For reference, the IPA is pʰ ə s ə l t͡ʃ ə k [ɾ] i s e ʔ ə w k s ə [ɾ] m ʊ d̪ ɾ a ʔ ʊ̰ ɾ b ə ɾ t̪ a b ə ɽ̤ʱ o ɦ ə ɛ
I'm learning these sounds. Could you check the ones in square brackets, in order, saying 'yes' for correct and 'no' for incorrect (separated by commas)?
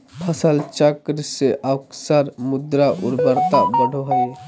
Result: yes, yes